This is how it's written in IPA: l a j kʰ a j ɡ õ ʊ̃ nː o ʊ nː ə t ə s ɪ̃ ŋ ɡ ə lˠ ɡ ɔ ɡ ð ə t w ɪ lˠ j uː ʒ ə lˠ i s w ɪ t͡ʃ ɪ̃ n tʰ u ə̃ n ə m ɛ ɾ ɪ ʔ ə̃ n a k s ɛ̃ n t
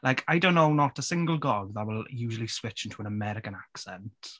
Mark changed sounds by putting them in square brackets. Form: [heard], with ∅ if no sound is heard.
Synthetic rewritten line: l a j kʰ a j [d] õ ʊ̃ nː o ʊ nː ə t ə s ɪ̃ ŋ ɡ ə lˠ ɡ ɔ ɡ ð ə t w ɪ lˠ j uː ʒ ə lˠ i s w ɪ t͡ʃ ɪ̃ n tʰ u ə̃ n ə m ɛ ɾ ɪ [k] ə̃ n a k s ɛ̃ n t

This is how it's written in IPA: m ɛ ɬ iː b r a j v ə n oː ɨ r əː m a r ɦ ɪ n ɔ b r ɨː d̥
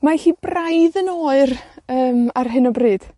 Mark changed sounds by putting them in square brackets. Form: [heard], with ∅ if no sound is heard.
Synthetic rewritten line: m [a] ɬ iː b r a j [ð] ə n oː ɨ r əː m a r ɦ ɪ n ɔ b r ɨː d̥

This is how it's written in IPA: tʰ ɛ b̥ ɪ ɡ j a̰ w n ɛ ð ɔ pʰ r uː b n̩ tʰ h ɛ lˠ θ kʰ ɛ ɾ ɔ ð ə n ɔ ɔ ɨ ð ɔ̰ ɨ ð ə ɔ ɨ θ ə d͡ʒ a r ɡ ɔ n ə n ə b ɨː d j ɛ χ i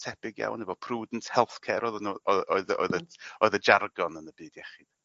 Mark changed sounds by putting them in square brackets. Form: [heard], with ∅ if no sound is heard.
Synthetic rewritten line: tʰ ɛ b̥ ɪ ɡ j a̰ w n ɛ [v] ɔ pʰ r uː [d] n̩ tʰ h ɛ lˠ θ kʰ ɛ ɾ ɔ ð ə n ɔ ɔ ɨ ð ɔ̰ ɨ ð ə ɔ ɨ [ð] ə d͡ʒ a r ɡ ɔ n ə n ə b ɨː d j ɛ χ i

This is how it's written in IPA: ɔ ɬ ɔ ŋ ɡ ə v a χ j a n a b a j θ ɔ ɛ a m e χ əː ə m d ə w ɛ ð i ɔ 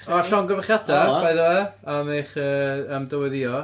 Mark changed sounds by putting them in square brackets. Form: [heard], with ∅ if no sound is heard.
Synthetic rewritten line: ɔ ɬ ɔ ŋ ɡ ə v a χ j a [d] a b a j [ð] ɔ ɛ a m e χ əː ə m d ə w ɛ ð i ɔ

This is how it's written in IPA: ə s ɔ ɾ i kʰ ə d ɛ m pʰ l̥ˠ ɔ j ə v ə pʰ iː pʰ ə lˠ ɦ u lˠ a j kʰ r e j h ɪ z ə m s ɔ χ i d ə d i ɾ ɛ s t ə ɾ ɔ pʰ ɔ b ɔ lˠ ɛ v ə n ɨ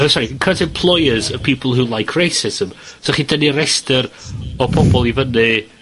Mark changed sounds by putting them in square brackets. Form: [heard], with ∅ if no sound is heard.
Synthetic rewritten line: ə s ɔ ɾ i kʰ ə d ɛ m pʰ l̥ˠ ɔ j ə [z] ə pʰ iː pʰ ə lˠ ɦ u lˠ a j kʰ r e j [s] ɪ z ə m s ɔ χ i d ə [n] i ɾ ɛ s t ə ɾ ɔ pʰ ɔ b ɔ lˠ [i] v ə n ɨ

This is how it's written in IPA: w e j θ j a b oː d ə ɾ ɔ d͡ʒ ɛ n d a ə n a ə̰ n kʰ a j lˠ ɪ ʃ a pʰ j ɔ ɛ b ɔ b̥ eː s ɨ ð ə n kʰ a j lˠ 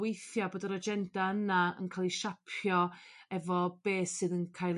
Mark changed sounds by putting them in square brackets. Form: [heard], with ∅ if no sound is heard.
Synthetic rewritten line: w e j θ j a b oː d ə ɾ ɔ d͡ʒ ɛ n d a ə n a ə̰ n kʰ a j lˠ [i] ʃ a pʰ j ɔ ɛ [v] ɔ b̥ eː s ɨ ð ə n kʰ a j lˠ

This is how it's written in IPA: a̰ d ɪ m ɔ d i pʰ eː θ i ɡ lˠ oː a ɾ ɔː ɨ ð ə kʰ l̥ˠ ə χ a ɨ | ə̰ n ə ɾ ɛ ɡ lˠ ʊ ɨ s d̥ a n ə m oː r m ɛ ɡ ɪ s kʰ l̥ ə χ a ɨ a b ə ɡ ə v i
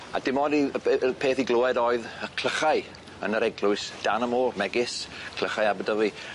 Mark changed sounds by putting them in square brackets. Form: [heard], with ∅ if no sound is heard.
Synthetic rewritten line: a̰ d ɪ m ɔ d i pʰ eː θ i ɡ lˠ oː [ɛ] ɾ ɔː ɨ ð ə kʰ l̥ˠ ə χ a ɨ | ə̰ n ə ɾ ɛ ɡ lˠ ʊ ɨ s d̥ a n ə m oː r m ɛ ɡ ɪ s kʰ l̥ ə χ a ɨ a b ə [d] ə v i

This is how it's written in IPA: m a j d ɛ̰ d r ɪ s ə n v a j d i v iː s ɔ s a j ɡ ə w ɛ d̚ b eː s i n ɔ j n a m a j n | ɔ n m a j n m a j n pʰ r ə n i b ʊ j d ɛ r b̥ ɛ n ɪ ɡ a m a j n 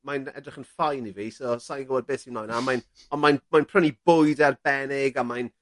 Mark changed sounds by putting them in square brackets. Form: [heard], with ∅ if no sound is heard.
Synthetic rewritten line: m a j [n] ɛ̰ d r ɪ [χ] ə n [f] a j [n] i v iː s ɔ s a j ɡ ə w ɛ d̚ b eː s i n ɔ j n a m a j n | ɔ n m a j n m a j n pʰ r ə n i b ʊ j d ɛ r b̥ ɛ n ɪ ɡ a m a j n

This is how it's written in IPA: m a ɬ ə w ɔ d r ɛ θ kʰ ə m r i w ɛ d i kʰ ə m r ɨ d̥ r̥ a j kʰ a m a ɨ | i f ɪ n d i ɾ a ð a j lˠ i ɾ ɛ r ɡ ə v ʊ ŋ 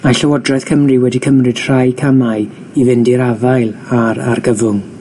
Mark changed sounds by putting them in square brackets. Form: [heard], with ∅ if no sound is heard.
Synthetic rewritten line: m a ɬ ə w ɔ d r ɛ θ kʰ ə m r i w ɛ d i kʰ ə m r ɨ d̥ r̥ a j kʰ a m a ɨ | i [v] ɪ n d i ɾ a [v] a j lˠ [a] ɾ [a] r ɡ ə v ʊ ŋ

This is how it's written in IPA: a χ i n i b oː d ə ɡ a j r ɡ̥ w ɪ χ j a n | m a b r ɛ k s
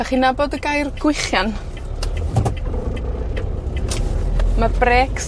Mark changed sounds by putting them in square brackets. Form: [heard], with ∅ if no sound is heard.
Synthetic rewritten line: a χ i n [a] b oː d ə ɡ a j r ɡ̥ w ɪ χ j a n | m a b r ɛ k s

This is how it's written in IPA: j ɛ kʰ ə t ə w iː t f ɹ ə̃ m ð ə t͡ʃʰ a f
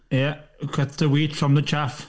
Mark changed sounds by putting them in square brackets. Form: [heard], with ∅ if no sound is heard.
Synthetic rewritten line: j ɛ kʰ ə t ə w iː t f ɹ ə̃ m ð ə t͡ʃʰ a f

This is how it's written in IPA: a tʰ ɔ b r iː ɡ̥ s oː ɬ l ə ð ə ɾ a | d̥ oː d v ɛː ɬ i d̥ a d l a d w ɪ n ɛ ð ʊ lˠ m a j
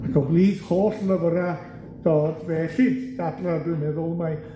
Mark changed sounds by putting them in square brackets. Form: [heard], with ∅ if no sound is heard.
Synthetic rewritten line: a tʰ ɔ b [l] iː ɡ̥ [h] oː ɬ l ə [v] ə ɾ a | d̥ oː d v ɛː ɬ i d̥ a d l a d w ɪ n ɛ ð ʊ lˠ m a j

